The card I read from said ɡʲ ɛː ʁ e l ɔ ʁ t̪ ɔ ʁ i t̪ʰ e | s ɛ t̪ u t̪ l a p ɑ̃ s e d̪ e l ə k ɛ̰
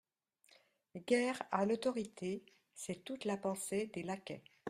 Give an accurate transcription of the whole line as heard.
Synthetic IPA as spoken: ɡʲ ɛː ʁ a l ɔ t̪ ɔ ʁ i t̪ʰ e | s ɛ t̪ u t̪ l a p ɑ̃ s e d̪ e l a k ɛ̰